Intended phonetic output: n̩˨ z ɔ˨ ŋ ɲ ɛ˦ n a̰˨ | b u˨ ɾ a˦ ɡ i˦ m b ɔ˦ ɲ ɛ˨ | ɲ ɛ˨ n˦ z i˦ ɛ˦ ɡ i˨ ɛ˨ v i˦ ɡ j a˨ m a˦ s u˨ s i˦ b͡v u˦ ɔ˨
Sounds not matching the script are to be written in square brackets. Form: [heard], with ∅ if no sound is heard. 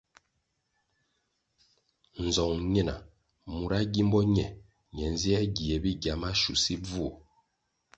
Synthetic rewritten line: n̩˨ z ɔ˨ ŋ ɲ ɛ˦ n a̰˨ | [m] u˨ ɾ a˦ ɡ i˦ m b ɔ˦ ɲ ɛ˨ | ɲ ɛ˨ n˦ z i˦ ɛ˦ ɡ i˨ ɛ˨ [b] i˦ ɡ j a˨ m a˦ [ʃ] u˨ s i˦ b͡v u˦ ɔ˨